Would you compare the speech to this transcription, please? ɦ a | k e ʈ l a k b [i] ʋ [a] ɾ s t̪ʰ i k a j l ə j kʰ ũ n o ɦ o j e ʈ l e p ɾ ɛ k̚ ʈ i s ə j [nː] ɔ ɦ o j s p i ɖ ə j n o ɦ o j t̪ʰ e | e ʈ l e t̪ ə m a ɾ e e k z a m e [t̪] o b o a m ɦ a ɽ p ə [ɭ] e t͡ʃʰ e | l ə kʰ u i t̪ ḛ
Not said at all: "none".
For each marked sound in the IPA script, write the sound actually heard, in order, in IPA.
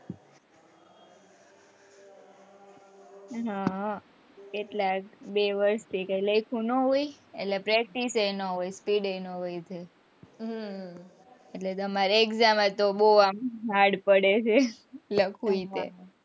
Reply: e, ə, n, t̪, ɽ

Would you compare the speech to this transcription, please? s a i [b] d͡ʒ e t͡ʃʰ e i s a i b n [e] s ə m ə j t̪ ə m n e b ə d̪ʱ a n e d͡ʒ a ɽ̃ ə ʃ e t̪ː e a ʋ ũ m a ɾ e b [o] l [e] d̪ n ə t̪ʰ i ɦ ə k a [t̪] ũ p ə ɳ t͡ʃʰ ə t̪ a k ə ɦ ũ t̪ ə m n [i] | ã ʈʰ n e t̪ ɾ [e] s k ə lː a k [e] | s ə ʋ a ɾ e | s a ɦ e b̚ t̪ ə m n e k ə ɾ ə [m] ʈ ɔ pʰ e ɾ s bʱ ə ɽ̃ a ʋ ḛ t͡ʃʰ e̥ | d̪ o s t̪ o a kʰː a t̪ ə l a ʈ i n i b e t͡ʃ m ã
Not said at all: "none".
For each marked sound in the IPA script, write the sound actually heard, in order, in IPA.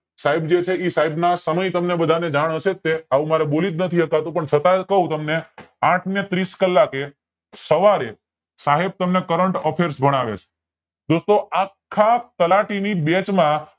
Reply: b, a, o, i, t̪, e, i, e, ɳ

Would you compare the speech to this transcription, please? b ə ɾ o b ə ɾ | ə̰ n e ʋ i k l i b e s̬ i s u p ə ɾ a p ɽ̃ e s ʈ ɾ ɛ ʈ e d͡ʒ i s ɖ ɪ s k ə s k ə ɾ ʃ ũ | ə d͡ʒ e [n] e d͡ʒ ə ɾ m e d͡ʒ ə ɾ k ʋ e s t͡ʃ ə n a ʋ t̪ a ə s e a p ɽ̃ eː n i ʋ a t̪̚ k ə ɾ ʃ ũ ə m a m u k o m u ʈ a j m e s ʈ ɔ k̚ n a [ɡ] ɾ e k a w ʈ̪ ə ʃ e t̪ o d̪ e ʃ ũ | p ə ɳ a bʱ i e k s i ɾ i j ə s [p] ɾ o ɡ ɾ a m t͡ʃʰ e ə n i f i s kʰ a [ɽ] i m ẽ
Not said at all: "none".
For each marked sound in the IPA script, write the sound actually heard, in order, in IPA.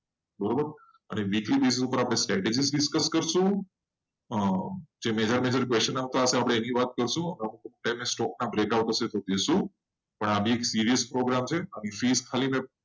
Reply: m, b, p, l

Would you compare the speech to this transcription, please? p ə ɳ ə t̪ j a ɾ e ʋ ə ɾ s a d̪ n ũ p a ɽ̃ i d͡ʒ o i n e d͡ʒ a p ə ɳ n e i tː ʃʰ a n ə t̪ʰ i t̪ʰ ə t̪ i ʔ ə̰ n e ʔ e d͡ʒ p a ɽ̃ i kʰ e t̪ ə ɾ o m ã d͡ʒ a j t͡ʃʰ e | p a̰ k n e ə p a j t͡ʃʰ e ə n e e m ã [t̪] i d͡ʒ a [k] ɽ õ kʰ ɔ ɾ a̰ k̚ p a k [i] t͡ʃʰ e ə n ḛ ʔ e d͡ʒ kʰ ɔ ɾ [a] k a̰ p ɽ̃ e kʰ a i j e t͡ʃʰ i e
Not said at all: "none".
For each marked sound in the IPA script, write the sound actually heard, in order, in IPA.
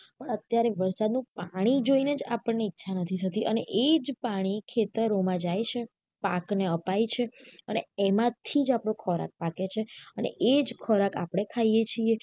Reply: t̪ʰ, p, e, a

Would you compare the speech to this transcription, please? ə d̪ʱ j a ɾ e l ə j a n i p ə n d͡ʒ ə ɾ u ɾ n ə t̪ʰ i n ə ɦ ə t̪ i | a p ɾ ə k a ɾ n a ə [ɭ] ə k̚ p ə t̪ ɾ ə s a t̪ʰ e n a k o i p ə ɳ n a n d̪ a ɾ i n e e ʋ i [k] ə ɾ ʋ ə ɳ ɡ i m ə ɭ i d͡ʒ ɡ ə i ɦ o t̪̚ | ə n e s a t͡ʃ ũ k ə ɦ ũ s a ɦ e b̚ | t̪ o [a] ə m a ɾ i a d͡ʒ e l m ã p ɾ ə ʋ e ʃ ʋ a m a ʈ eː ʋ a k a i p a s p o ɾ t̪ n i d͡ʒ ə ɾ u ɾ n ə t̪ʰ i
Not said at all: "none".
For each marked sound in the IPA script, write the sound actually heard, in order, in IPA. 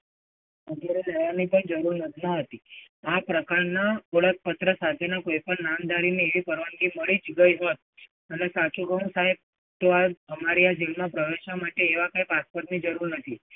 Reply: ɭ, p, a

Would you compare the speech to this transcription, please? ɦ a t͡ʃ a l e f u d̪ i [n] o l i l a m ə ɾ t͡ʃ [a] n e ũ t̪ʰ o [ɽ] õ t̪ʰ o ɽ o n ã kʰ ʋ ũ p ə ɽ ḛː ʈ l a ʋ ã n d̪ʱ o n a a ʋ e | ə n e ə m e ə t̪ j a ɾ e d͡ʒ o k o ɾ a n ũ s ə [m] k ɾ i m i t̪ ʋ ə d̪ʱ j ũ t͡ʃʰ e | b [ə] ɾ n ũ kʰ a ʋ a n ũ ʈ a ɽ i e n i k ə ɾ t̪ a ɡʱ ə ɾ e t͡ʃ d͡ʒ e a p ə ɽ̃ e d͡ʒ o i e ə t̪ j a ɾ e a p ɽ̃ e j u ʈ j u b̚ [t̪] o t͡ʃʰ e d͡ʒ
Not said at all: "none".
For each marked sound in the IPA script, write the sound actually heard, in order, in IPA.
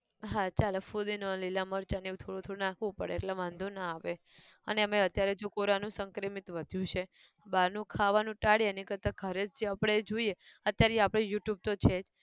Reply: n, a, ɽ, ŋ, a, t̪

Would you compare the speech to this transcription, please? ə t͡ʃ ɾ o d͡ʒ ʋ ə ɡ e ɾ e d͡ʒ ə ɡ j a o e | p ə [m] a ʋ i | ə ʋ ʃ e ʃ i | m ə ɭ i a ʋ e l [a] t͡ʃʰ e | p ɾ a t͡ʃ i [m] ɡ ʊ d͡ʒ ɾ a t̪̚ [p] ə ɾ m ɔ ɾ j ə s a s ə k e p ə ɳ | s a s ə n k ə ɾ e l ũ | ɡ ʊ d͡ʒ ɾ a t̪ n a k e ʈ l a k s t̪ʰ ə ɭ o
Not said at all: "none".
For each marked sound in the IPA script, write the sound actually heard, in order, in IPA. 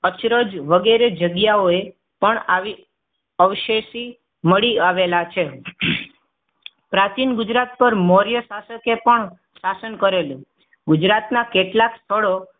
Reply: ɳ, a, n, p

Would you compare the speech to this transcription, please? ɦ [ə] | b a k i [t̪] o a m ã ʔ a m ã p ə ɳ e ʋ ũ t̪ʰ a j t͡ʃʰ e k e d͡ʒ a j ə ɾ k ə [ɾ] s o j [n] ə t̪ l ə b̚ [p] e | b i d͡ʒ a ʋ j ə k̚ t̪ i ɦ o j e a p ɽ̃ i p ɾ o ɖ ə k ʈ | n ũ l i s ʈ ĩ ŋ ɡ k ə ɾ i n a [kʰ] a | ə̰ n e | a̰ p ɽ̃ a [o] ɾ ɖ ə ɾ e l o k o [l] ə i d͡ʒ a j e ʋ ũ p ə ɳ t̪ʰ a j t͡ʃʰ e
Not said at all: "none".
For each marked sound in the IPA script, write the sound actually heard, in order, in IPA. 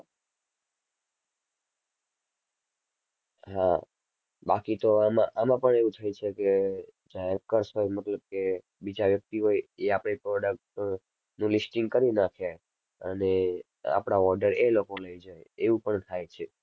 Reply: a, t̪, ɾ, m, k, kʰ, ɔ, l

